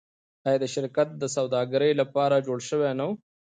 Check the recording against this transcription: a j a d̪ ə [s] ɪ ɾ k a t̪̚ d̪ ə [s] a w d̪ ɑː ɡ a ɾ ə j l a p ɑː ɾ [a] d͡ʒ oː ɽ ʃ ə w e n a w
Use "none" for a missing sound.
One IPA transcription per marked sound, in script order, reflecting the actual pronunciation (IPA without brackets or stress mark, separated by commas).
ʃ, s, a